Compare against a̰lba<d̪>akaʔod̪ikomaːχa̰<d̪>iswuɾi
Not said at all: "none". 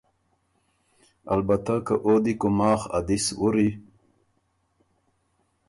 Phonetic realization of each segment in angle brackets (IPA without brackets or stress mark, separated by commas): t̪, d̪